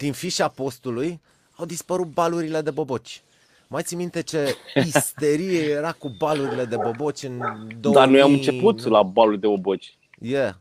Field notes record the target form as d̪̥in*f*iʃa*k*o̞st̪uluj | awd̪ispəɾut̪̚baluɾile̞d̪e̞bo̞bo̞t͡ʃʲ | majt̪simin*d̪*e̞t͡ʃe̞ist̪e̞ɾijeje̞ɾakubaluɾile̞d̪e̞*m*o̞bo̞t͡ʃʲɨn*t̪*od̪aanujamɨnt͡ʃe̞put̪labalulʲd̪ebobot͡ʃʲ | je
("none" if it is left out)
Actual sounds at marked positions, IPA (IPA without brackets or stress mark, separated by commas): f, p, t̪, b, d̪